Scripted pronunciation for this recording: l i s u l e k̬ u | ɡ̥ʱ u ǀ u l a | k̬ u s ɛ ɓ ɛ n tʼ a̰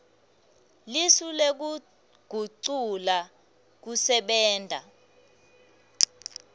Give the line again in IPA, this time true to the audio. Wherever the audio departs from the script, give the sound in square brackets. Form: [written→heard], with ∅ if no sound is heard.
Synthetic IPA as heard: l i s u l e k̬ u | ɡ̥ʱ u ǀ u l a | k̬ u s ɛ ɓ [ɛ→ɛː] n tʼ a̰